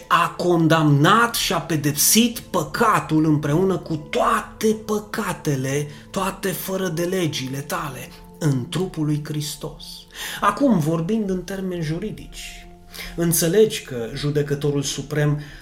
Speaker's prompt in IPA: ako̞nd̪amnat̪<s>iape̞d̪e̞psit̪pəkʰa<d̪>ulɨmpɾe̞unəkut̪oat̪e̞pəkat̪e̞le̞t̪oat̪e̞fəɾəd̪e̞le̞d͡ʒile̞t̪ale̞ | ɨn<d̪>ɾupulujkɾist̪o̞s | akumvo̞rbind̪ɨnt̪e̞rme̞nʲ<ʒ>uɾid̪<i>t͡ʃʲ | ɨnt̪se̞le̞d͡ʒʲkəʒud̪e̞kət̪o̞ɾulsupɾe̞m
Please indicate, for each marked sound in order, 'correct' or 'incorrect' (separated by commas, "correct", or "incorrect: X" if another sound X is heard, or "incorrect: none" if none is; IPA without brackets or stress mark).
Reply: incorrect: ʃ, incorrect: t̪, incorrect: t̪, correct, correct